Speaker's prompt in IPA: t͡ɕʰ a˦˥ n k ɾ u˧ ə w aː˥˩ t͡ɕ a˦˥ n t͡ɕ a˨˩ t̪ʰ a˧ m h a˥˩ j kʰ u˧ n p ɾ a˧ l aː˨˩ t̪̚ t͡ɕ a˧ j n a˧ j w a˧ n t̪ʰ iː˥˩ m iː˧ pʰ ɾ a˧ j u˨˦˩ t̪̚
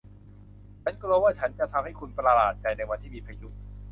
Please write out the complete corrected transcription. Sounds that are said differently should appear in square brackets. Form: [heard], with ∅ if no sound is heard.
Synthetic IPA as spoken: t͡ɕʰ a˦˥ n k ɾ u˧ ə w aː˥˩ [t͡ɕʰ] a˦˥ n t͡ɕ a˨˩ t̪ʰ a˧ m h a˥˩ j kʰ u˧ n p ɾ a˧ l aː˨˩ t̪̚ t͡ɕ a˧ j n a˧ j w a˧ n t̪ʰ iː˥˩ m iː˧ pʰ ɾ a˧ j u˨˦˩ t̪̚